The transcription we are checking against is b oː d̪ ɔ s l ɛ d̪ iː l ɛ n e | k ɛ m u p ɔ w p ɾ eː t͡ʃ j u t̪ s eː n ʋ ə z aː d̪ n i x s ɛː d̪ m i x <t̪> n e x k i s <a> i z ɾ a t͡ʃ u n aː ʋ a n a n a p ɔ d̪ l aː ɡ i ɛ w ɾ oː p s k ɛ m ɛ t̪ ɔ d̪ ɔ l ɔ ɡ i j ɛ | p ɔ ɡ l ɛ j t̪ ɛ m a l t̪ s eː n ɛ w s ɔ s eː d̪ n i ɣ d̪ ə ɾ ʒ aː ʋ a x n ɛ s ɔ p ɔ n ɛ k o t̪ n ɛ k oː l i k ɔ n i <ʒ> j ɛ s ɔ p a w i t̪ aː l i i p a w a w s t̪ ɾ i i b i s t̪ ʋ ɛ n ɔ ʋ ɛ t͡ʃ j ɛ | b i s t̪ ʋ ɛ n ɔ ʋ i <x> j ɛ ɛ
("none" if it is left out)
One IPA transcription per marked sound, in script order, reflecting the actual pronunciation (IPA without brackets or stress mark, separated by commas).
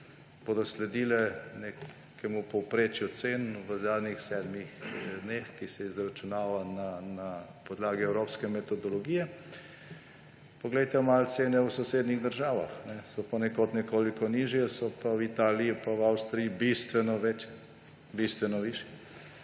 d̪, ɛ, ʒ, ʃ